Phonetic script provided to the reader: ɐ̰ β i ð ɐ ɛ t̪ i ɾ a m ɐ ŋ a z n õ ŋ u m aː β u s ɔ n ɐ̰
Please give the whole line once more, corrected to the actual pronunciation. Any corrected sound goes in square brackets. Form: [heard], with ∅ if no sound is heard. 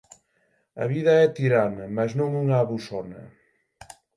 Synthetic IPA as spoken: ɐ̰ β i ð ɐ ɛ t̪ i ɾ a [n] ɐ [m] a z n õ ŋ u [ŋ] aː β u s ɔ n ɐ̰